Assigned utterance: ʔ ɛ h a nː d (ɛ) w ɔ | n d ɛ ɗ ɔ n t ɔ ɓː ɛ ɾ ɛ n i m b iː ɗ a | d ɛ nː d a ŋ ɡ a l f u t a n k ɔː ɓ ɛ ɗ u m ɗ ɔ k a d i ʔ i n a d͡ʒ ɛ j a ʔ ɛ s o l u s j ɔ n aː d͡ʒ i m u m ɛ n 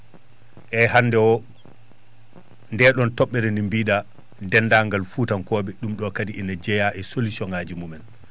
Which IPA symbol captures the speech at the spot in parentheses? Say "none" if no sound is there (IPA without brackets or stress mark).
ɛ